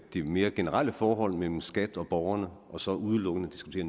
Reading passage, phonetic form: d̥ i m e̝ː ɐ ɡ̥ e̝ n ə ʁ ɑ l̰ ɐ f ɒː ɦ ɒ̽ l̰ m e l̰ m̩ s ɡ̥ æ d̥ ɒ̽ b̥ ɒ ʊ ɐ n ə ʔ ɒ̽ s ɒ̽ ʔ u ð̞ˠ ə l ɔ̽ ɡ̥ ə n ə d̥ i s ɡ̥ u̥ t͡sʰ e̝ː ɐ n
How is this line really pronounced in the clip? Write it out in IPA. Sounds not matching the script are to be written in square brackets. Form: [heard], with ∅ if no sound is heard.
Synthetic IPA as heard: d̥ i m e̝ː ɐ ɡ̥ e̝ n ə ʁ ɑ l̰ [ə] f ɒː ɦ ɒ̽ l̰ m e l̰ m̩ s ɡ̥ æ d̥ ɒ̽ b̥ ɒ ʊ ɐ n ə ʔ ɒ̽ s ɒ̽ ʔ u ð̞ˠ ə l ɔ̽ ɡ̥ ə n ə d̥ i s ɡ̥ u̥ t͡sʰ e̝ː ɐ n